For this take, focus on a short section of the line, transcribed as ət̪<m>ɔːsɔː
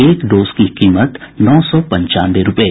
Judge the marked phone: incorrect: n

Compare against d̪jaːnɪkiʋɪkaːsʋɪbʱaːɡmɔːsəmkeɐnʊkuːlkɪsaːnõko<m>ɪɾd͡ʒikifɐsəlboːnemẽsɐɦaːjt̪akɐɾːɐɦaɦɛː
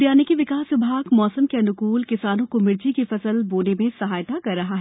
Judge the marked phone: correct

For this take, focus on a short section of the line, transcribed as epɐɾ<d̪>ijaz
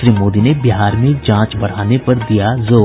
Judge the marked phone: correct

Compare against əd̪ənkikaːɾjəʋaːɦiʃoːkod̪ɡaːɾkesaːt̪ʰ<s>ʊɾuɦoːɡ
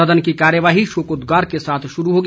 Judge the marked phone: incorrect: ʃ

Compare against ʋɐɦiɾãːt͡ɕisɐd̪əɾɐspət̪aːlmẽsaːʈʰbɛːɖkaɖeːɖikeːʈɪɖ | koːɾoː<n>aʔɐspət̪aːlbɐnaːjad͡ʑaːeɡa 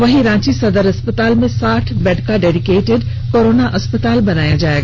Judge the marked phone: correct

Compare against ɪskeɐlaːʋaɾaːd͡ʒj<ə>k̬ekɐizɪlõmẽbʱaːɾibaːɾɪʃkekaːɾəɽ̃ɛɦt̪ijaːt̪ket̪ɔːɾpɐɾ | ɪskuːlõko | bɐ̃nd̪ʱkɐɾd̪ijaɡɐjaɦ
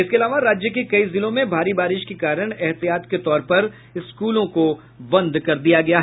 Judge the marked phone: correct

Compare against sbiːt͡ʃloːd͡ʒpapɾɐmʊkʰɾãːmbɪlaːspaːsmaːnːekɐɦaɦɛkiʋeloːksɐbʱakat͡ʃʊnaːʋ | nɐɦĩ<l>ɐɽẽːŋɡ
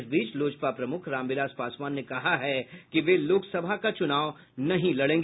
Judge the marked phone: correct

